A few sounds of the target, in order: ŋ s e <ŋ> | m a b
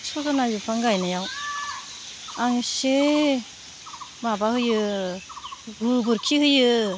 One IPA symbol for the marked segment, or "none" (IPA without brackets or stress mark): none